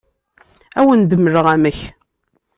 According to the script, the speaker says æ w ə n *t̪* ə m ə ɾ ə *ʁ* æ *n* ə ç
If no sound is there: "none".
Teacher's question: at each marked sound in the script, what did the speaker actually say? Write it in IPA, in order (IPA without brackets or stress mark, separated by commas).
d̪, ʁ, m